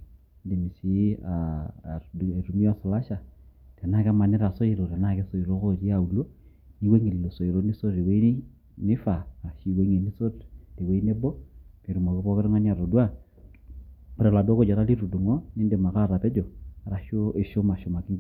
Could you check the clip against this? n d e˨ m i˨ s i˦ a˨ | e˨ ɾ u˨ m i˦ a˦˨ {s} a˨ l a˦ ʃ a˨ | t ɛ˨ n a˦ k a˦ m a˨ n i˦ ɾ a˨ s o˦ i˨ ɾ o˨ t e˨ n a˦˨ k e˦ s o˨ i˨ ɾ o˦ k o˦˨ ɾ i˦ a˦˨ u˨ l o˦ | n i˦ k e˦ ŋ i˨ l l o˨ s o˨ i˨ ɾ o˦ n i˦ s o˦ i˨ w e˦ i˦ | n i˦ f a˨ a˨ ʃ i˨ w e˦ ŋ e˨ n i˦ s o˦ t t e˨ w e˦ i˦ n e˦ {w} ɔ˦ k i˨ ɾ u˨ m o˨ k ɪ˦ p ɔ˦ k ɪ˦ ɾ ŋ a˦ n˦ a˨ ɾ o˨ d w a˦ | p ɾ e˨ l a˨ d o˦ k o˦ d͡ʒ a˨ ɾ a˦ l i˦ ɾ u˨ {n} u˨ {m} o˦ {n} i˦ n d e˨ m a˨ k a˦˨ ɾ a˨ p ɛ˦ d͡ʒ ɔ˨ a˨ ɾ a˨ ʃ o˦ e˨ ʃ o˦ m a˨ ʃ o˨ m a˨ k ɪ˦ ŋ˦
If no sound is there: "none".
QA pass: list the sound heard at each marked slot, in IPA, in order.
s, b, d, ŋ, n

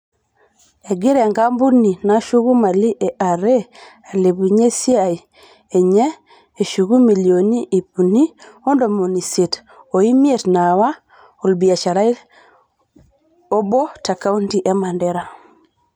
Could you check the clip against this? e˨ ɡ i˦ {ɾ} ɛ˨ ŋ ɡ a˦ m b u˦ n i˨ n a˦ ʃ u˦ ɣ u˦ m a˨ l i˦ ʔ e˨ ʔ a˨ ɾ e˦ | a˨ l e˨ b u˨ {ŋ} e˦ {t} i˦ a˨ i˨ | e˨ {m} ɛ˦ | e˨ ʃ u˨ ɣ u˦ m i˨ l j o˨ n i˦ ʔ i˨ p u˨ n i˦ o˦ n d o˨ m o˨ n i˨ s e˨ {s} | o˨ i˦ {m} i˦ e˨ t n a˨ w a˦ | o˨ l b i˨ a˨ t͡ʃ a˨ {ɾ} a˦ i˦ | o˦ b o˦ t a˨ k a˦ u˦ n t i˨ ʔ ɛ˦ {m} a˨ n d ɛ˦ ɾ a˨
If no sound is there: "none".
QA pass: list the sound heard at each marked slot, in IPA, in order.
ɾ, ɲ, s, ɲ, t, m, ɾ, m

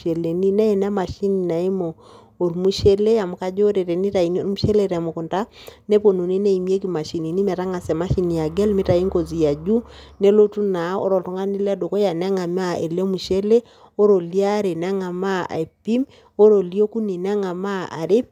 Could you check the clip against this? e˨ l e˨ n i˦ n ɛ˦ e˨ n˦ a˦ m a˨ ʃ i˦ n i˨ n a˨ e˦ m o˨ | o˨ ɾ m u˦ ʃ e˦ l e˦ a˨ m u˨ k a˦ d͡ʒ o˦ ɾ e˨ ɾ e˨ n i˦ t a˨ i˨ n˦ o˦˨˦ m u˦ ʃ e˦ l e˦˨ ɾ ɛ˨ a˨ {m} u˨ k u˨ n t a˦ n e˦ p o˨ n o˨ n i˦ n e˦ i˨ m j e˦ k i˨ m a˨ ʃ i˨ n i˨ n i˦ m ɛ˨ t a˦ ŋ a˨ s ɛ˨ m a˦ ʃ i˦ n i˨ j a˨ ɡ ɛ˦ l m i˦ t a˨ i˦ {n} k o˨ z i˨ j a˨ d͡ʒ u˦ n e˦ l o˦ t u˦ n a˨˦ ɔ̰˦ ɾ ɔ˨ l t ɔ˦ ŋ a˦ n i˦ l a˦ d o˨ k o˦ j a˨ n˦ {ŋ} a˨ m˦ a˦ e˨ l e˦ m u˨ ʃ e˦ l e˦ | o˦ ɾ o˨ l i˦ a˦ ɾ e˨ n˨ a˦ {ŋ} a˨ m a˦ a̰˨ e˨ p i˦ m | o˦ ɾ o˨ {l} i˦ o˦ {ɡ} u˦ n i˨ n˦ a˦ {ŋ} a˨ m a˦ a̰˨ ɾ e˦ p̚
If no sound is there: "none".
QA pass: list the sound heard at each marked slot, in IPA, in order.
m, ŋ, ŋ, ŋ, l, k, ŋ

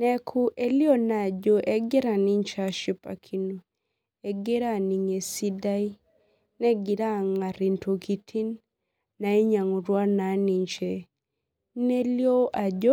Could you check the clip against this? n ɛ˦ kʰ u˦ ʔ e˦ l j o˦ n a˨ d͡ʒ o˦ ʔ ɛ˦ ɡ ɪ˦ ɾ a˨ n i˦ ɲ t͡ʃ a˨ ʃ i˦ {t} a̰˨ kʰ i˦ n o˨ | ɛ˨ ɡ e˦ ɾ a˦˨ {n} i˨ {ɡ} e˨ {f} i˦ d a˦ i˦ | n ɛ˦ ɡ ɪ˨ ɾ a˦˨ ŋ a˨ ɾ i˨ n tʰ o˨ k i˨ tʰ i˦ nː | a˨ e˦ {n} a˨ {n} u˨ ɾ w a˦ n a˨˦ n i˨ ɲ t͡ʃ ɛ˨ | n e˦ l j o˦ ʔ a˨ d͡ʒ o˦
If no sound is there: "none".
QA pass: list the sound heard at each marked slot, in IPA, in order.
p, n, ŋ, s, ɲ, ŋ

